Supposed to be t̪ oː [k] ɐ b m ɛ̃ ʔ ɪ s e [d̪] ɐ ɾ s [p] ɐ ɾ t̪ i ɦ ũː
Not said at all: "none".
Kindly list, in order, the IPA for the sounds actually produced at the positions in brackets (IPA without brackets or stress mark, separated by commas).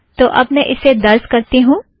ʔ, d̪, k